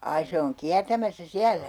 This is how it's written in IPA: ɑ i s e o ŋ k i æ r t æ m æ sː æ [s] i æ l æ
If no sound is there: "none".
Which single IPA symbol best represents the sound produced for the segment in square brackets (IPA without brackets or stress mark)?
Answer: s